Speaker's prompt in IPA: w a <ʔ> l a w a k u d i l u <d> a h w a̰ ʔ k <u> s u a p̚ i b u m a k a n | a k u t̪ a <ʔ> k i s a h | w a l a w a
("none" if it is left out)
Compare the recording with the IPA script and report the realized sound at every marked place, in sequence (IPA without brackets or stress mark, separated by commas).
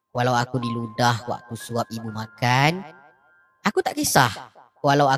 none, d, u, ʔ